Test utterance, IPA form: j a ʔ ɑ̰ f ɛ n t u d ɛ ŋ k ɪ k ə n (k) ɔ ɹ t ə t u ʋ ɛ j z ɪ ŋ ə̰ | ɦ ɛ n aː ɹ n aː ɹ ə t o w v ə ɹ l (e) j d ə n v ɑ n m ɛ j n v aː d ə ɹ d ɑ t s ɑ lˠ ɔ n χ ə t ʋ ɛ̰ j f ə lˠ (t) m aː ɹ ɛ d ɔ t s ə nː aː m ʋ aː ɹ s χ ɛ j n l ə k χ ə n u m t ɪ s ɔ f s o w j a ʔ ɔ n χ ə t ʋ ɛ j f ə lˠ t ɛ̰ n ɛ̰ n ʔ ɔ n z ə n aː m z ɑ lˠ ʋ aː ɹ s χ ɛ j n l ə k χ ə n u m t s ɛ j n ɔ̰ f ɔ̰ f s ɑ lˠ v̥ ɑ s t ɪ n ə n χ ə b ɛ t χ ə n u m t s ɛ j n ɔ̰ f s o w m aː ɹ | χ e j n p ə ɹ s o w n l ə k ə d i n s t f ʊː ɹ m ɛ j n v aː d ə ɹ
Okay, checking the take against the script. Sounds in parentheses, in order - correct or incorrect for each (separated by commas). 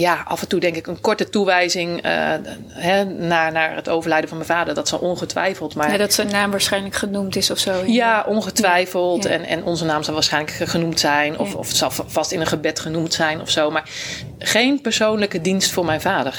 correct, incorrect, correct